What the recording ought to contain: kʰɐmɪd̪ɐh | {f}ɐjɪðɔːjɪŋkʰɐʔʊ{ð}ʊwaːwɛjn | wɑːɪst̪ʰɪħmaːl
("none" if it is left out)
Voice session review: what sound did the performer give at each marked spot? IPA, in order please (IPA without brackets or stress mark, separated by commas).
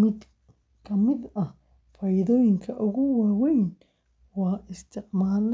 f, ɣ